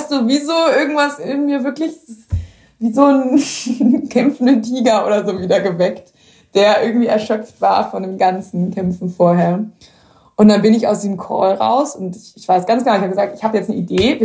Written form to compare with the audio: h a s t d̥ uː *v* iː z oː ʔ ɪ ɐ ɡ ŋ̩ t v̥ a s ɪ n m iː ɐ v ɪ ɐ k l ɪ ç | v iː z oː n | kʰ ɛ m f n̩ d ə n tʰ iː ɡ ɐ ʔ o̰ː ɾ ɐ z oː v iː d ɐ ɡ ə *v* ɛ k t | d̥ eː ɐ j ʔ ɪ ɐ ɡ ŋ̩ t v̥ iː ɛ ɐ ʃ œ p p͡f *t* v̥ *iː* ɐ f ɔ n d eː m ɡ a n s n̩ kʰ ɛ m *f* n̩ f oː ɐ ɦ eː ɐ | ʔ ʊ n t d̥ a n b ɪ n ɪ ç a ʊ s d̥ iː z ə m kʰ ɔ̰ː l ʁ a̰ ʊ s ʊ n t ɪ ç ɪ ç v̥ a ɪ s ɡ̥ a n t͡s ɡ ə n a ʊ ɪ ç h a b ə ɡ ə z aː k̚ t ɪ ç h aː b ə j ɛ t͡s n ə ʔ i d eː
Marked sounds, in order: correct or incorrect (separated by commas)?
correct, correct, correct, incorrect, correct